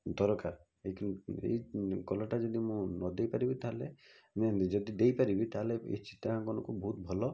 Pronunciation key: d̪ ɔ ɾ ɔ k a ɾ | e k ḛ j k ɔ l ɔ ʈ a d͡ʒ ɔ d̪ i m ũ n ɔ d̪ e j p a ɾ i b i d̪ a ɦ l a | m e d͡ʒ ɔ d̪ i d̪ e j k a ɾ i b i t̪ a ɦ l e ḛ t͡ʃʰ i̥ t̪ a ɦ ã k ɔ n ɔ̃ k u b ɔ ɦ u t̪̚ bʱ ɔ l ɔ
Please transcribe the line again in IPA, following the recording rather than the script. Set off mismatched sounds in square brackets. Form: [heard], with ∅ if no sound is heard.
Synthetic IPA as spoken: d̪ ɔ ɾ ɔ k a ɾ | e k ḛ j k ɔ l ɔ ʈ a d͡ʒ ɔ d̪ i m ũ n ɔ d̪ e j p a ɾ i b i [t̪] a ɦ l [e] | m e d͡ʒ ɔ d̪ i d̪ e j [p] a ɾ i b i t̪ a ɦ l e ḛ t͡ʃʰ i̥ t̪ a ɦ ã k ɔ n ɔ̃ k u b ɔ ɦ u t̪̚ bʱ ɔ l ɔ